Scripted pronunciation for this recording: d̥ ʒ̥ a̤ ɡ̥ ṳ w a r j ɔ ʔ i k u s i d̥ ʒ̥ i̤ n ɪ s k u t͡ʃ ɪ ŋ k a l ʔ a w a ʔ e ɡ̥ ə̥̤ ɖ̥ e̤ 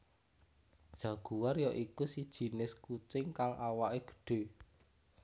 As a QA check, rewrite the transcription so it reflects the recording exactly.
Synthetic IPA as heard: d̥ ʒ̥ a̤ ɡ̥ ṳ w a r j ɔ ʔ i k u s i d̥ ʒ̥ i̤ n ɪ s k u t͡ʃ ɪ ŋ k a l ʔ a w a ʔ e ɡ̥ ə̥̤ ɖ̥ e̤